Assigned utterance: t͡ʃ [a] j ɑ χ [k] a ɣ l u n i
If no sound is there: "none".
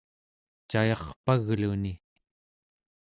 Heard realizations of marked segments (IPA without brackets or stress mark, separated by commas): a, p